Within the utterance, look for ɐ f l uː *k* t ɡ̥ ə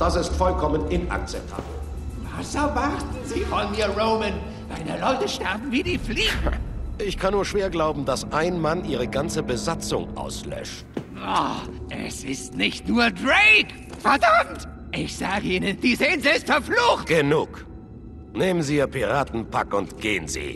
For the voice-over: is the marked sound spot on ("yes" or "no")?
no